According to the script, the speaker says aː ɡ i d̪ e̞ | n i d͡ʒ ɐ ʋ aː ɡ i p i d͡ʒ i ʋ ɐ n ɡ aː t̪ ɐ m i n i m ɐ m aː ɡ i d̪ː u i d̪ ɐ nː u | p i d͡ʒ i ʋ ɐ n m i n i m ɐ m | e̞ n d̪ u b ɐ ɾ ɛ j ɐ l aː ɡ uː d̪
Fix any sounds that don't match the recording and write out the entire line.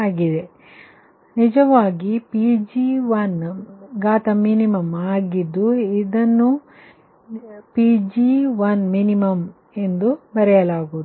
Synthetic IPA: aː ɡ i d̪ e̞ | n i d͡ʒ ɐ ʋ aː ɡ i p i d͡ʒ i ʋ ɐ n ɡ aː t̪ ɐ m i n i m ɐ m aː ɡ i d̪ː u i d̪ ɐ nː u | p i d͡ʒ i ʋ ɐ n m i n i m ɐ m | e̞ n d̪ u b ɐ ɾ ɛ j ɐ l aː ɡ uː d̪

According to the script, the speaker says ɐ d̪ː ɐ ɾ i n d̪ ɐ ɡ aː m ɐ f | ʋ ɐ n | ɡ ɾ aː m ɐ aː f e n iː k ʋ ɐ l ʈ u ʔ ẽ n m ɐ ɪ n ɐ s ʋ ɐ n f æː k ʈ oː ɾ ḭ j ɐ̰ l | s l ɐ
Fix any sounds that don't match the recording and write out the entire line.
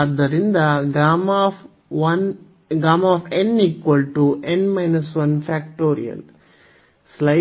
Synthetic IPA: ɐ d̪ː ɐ ɾ i n d̪ ɐ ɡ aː m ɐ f | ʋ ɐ n | ɡ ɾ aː m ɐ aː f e n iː k ʋ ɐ l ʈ u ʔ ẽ n m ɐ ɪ n ɐ s ʋ ɐ n f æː k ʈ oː ɾ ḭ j ɐ̰ l | s l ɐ

